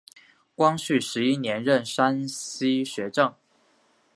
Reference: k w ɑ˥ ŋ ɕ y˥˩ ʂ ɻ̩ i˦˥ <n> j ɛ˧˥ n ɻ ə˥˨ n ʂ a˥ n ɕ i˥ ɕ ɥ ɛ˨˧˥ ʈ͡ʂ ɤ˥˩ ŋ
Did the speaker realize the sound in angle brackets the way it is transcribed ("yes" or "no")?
yes